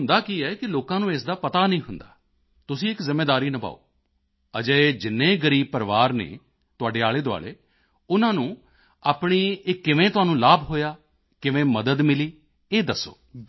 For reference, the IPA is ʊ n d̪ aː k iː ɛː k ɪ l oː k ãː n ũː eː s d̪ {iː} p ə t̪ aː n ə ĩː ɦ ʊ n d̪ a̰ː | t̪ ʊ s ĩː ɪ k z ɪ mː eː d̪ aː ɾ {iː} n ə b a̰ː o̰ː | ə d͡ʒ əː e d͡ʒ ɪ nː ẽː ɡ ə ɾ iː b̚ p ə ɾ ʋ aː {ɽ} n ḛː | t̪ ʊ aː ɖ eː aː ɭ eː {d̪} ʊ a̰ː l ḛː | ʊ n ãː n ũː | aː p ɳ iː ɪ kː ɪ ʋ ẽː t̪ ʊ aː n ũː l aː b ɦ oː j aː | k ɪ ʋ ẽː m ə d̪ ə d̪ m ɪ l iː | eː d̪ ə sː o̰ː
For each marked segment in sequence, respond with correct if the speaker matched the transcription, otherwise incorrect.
incorrect: aː, correct, incorrect: ɾ, correct

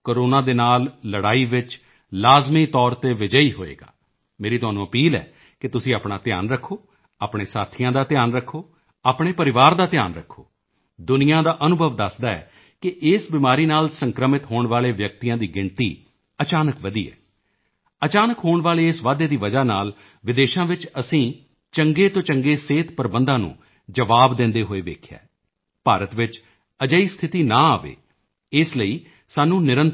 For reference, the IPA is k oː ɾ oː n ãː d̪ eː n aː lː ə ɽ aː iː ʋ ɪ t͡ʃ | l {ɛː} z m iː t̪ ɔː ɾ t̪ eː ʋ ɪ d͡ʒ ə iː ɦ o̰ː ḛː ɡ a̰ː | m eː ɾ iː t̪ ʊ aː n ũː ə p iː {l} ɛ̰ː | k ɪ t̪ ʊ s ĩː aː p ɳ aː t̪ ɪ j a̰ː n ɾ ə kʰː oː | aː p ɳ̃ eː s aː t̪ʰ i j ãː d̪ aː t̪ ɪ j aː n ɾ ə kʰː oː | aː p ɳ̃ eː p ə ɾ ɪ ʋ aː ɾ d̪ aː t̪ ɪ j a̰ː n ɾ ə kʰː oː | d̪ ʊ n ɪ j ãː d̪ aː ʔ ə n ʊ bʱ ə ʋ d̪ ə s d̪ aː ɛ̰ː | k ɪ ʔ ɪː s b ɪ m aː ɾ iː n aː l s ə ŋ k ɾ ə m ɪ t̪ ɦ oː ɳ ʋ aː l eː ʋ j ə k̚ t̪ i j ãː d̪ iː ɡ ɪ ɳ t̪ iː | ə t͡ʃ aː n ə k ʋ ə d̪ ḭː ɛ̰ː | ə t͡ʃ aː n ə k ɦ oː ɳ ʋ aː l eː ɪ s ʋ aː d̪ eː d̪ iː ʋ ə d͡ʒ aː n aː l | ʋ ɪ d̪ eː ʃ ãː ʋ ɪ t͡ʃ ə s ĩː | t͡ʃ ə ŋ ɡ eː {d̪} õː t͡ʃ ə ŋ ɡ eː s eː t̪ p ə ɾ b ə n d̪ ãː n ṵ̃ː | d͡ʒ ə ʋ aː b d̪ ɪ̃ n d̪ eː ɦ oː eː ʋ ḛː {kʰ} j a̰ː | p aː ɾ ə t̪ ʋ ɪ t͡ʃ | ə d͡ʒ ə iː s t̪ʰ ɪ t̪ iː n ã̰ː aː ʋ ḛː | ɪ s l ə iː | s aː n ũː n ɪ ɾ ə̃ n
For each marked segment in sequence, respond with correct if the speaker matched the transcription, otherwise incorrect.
incorrect: aː, correct, incorrect: t̪, correct

